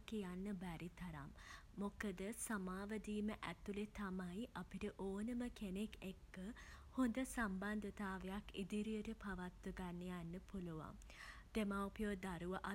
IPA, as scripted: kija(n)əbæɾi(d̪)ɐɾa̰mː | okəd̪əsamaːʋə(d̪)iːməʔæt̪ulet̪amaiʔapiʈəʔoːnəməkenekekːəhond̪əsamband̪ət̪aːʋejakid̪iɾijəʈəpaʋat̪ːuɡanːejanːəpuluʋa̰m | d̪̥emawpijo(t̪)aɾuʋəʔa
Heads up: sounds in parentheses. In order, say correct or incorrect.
incorrect: nː, incorrect: t̪, correct, incorrect: d̪

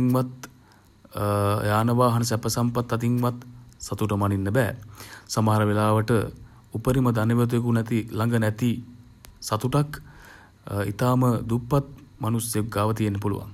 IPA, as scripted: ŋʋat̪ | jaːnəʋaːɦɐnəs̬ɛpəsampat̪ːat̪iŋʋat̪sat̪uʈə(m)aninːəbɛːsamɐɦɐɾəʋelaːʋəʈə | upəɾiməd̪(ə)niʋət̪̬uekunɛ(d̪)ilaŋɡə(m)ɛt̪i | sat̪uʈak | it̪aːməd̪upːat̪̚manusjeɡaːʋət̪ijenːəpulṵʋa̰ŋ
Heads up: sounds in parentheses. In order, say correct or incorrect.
correct, incorrect: a, incorrect: t̪, incorrect: n

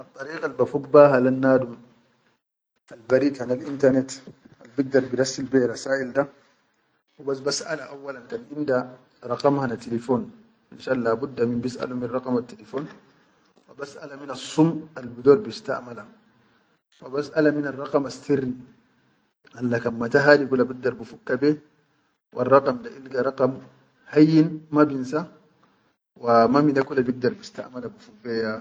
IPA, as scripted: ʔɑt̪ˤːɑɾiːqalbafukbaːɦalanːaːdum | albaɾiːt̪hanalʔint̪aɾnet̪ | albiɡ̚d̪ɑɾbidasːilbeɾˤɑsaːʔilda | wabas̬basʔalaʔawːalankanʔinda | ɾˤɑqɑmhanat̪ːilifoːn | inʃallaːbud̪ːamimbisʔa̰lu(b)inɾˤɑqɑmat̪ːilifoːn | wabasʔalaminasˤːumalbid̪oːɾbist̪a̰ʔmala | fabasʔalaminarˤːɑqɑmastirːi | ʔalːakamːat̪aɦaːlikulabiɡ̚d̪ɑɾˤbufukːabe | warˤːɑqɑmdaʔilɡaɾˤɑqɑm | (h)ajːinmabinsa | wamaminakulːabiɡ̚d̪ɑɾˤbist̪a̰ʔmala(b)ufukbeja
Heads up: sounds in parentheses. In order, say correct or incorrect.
incorrect: m, correct, correct

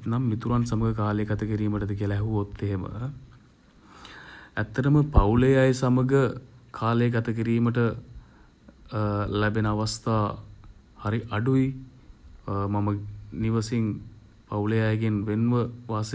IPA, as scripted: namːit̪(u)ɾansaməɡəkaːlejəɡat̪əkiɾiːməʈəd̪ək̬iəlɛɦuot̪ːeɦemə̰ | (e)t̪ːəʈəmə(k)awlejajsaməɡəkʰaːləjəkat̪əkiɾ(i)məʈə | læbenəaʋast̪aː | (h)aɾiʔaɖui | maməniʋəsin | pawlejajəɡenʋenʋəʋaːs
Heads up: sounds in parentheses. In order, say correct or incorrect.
correct, incorrect: æ, incorrect: p, incorrect: iː, correct

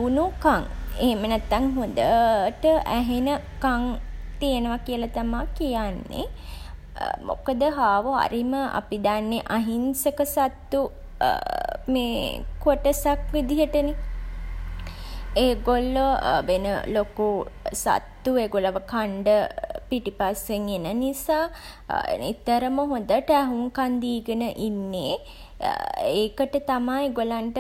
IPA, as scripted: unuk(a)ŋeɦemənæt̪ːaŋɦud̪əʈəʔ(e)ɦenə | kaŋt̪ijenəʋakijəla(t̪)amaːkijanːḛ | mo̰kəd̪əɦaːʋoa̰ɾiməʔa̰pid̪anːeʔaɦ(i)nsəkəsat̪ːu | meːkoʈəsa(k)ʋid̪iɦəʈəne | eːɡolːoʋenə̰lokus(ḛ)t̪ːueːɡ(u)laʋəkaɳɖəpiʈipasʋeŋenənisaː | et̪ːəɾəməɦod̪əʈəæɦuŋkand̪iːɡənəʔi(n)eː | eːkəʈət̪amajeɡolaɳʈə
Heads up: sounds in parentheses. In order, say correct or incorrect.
correct, incorrect: æ, correct, correct, correct, incorrect: a̰, incorrect: o, incorrect: nː

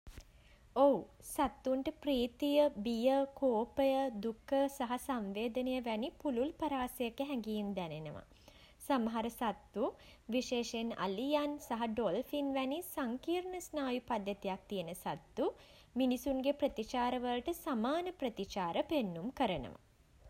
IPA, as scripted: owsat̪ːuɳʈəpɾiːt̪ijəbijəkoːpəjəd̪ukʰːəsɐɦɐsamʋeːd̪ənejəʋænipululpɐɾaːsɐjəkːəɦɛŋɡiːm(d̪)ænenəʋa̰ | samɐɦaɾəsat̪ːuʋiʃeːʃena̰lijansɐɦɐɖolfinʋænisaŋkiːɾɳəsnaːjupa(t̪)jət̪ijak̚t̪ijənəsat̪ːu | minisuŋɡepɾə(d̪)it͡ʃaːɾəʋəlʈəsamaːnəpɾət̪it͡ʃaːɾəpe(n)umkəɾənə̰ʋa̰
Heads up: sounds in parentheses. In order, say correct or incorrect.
correct, incorrect: d̪, incorrect: t̪, incorrect: nː

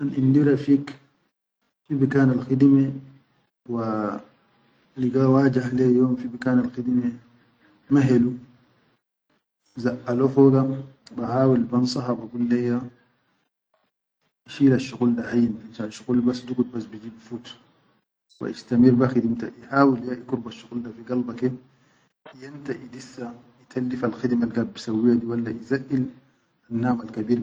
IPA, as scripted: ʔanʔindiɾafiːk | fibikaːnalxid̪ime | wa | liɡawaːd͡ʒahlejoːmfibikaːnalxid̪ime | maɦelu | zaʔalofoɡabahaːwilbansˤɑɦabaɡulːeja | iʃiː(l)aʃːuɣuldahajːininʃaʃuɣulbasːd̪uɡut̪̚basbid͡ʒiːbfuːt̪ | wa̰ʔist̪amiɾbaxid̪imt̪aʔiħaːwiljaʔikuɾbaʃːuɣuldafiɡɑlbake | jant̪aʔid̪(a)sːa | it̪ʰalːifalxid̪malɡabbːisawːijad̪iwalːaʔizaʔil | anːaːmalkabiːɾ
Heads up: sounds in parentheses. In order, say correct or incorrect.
correct, incorrect: i

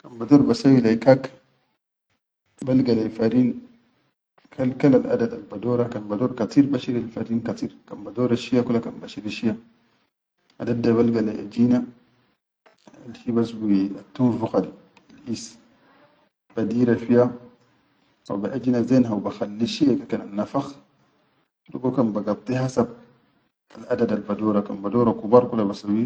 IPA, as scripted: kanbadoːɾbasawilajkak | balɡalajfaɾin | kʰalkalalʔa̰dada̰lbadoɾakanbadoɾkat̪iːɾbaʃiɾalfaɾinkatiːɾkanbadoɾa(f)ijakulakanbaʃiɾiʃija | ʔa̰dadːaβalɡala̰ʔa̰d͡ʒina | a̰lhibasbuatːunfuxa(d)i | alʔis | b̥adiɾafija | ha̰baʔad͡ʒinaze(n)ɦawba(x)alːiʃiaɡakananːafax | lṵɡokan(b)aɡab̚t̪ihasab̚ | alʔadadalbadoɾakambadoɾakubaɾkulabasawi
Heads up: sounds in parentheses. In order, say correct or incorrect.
incorrect: ʃ, correct, correct, correct, correct

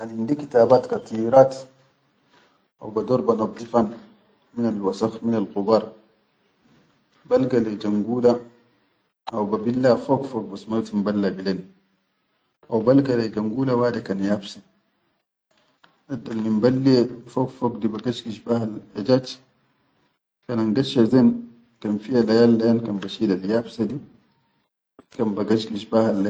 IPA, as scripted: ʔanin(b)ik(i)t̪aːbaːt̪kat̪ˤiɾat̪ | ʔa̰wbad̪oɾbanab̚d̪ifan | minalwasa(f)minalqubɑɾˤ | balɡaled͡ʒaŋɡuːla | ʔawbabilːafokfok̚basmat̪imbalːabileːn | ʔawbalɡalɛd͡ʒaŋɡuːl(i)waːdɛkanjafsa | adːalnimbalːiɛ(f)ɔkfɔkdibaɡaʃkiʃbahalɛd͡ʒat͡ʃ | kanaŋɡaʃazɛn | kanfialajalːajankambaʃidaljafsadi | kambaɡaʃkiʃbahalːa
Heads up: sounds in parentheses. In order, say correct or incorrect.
incorrect: d, correct, incorrect: x, incorrect: a, correct

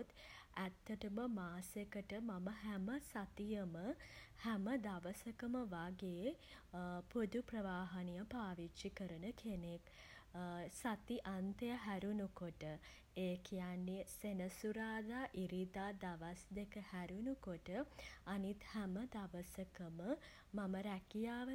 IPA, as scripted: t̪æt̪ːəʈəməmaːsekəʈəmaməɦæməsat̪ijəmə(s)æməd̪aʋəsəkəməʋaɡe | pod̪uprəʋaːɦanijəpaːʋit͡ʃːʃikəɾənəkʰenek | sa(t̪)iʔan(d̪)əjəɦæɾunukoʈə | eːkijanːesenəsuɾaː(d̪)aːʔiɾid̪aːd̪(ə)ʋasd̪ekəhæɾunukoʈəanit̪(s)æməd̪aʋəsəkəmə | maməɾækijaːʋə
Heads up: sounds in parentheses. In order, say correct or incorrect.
incorrect: h, correct, incorrect: t̪, correct, incorrect: a, incorrect: h

